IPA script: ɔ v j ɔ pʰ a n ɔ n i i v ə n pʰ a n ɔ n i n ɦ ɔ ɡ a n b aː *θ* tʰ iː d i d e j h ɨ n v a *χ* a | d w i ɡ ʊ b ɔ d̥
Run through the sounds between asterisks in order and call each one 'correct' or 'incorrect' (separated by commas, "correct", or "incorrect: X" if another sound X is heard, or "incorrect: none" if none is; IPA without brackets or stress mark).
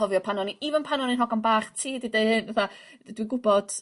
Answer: incorrect: χ, incorrect: θ